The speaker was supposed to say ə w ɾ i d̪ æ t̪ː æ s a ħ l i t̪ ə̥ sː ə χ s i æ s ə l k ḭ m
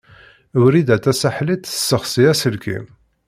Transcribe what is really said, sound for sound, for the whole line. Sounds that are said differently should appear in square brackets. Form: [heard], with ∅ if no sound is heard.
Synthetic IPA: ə w ɾ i d̪ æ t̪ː æ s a ħ l i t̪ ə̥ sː ə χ s i æ s ə l k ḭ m